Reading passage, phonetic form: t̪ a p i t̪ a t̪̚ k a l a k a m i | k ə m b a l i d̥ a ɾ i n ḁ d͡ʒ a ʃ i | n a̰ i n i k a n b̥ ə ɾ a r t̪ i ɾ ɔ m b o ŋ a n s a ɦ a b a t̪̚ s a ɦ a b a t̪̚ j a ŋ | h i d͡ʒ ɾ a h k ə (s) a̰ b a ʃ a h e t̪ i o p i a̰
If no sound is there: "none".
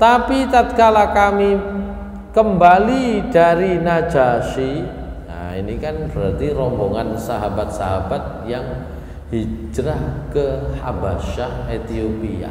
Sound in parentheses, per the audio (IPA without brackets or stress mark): h